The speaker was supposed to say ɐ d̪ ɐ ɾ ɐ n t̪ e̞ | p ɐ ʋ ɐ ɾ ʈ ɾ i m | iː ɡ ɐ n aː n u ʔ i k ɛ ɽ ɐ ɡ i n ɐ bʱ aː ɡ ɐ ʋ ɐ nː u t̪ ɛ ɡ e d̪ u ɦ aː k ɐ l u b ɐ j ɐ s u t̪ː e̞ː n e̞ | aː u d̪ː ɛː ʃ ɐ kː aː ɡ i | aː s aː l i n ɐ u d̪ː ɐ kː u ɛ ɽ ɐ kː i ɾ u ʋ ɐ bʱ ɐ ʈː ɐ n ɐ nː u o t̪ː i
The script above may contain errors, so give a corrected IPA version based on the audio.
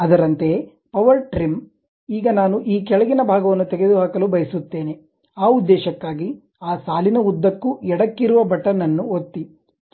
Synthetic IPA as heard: ɐ d̪ ɐ ɾ ɐ n t̪ e̞ | p ɐ ʋ ɐ ɾ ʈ ɾ i m | iː ɡ ɐ n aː n u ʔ iː k ɛ ɭ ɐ ɡ i n ɐ bʱ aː ɡ ɐ ʋ ɐ nː u t̪ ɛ ɡ e d̪ u ɦ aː k ɐ l u b ɐ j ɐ s u t̪ː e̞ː n e̞ | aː u d̪ː ɛː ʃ ɐ kː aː ɡ i | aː s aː l i n ɐ u d̪ː ɐ kː u ɛ ɽ ɐ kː i ɾ u ʋ ɐ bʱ ɐ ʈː ɐ n ɐ nː u o t̪ː i